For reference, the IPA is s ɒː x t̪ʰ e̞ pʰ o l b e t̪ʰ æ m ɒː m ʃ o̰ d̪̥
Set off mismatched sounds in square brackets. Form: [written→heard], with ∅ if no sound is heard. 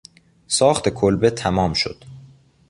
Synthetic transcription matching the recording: s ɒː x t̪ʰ e̞ [pʰ→kʰ] o l b e t̪ʰ æ m ɒː m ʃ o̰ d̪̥